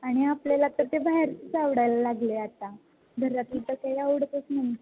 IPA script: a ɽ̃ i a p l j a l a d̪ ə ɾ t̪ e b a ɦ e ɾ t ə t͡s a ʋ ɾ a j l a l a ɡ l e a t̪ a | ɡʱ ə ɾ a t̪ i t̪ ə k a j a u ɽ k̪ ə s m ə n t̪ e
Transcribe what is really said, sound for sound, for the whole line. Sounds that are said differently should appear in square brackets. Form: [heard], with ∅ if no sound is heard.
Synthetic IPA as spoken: a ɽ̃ i a p l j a l a [t̪] ə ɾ t̪ e b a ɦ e ɾ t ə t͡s a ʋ [ɽ] a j l a l a ɡ l e a t̪ a | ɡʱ ə ɾ a t̪ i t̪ ə k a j a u ɽ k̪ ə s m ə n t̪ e